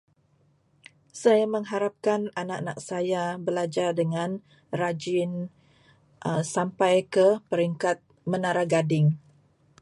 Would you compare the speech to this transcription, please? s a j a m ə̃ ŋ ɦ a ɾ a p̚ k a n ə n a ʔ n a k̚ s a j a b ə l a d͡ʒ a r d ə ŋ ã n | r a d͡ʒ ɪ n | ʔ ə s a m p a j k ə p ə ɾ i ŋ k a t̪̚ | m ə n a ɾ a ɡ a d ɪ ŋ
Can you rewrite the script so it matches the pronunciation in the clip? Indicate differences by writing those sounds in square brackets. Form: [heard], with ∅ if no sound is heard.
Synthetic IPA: s a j a m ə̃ ŋ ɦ a ɾ a p̚ k a n [a] n a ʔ n a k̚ s a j a b ə l a d͡ʒ a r d ə ŋ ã n | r a d͡ʒ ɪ n | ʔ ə s a m p a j k ə p ə ɾ i ŋ k a t̪̚ | m ə n a ɾ a ɡ a d ɪ ŋ